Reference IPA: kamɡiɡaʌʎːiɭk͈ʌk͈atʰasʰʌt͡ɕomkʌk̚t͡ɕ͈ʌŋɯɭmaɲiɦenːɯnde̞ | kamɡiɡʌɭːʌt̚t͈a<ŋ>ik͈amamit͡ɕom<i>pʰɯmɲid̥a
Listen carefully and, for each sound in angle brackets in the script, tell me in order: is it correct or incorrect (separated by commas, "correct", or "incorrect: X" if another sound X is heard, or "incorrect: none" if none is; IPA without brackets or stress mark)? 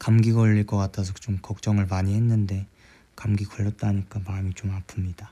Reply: incorrect: ɲ, incorrect: a